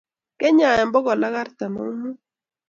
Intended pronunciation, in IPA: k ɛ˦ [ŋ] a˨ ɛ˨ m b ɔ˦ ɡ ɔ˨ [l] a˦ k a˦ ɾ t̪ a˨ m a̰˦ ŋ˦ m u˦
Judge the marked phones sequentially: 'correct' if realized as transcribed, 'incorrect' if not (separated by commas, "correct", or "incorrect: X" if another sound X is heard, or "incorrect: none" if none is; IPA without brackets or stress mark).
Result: incorrect: ɲ, correct